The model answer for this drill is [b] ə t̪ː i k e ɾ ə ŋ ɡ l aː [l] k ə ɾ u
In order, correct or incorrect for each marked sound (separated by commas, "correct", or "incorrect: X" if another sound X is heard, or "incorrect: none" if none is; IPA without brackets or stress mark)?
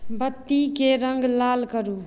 correct, correct